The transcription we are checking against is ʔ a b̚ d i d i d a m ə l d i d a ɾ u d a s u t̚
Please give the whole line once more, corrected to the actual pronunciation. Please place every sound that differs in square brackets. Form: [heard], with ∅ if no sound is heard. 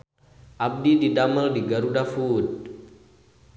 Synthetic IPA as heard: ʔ a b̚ d i d i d a m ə l d i [ɡ] a ɾ u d a [f] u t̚